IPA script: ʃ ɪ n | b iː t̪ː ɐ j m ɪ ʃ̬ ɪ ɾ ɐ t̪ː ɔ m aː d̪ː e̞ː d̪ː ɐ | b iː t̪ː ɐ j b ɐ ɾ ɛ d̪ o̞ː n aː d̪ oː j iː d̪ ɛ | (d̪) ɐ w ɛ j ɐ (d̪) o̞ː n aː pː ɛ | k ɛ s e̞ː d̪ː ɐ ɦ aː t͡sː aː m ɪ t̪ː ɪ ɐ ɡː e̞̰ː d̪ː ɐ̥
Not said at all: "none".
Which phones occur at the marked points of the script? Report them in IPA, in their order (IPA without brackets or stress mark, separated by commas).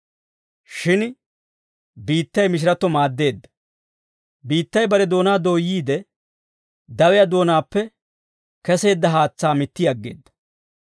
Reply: d̪, d̪